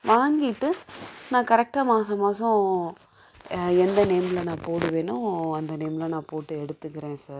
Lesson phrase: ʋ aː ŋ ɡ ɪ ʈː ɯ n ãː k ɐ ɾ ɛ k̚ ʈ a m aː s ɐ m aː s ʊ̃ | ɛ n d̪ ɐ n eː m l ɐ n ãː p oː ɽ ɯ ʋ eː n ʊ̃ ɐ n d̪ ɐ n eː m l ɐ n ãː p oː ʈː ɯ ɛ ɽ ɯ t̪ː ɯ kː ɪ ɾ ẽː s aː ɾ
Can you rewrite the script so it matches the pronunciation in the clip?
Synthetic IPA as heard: ʋ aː ŋ ɡ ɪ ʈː ɯ n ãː k ɐ ɾ ɛ k̚ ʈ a m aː s ɐ m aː s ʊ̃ | ɛ n d̪ ɐ n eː m l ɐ n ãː p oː ɽ ɯ ʋ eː n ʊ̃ ɐ n d̪ ɐ n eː m l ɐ n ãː p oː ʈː ɯ ɛ ɽ ɯ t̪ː ɯ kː ɪ ɾ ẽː s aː ɾ

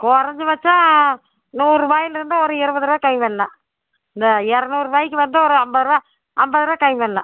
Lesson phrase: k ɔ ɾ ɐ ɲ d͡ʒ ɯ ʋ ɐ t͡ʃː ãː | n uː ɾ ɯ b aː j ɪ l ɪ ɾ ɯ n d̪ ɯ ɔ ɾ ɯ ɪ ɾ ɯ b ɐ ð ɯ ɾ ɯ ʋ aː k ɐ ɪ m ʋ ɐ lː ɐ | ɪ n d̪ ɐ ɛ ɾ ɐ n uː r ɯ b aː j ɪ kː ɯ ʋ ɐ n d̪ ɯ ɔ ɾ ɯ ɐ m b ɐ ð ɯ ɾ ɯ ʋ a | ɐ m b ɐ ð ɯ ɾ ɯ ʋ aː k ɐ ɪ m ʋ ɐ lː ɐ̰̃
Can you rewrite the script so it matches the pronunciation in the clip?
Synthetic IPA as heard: k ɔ ɾ ɐ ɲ d͡ʒ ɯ ʋ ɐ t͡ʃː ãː | n uː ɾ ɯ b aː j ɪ l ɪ ɾ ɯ n d̪ ɯ ɔ ɾ ɯ ɪ ɾ ɯ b ɐ ð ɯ ɾ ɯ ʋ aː k ɐ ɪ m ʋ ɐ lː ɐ | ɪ n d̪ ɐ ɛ ɾ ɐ n uː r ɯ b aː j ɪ kː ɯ ʋ ɐ n d̪ ɯ ɔ ɾ ɯ ɐ m b ɐ ð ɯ ɾ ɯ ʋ a | ɐ m b ɐ ð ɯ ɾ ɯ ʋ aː k ɐ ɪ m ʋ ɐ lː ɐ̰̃

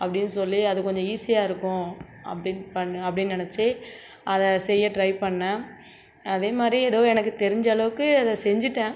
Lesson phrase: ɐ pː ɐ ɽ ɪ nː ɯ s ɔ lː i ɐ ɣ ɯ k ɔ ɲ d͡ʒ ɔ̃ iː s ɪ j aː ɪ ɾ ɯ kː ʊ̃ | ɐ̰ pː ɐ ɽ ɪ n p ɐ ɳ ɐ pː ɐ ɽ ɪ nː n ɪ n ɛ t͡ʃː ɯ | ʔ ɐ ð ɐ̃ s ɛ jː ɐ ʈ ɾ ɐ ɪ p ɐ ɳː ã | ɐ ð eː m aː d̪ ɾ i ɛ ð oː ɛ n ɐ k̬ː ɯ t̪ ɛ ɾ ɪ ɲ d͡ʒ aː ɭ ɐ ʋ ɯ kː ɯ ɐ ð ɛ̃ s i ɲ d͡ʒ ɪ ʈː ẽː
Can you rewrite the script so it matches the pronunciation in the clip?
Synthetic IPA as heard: ɐ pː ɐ ɽ ɪ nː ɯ s ɔ lː i ɐ ð ɯ k ɔ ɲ d͡ʒ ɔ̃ iː s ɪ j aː ɪ ɾ ɯ kː ʊ̃ | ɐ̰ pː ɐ ɽ ɪ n p ɐ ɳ ɐ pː ɐ ɽ ɪ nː n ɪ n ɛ t͡ʃː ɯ | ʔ ɐ ð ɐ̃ s ɛ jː ɐ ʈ ɾ ɐ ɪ p ɐ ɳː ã | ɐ ð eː m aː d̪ ɾ i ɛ ð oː ɛ n ɐ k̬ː ɯ t̪ ɛ ɾ ɪ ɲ d͡ʒ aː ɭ ɐ ʋ ɯ kː ɯ ɐ ð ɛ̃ s ɛ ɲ d͡ʒ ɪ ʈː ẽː

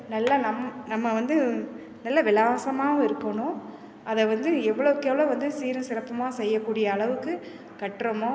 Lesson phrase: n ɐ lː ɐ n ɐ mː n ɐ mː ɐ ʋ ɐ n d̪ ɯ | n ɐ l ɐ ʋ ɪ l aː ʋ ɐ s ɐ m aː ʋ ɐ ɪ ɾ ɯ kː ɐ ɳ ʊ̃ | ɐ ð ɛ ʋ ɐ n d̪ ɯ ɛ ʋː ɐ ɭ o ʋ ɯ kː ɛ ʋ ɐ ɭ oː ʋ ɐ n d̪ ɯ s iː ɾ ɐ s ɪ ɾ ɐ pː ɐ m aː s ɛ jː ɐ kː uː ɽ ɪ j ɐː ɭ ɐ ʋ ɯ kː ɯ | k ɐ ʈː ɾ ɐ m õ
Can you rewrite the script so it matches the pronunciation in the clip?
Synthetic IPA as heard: n ɐ lː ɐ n ɐ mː n ɐ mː ɐ ʋ ɐ n d̪ ɯ | n ɐ lː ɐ ʋ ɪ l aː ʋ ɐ s ɐ m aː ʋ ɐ ɪ ɾ ɯ kː ɐ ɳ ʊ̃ | ɐ ð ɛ ʋ ɐ n d̪ ɯ ɛ ʋː ɐ ɭ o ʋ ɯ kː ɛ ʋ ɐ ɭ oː ʋ ɐ n d̪ ɯ s iː ɾ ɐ s ɪ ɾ ɐ pː ɐ m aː s ɛ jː ɐ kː uː ɽ ɪ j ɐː ɭ ɐ ʋ ɯ kː ɯ | k ɐ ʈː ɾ ɐ m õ

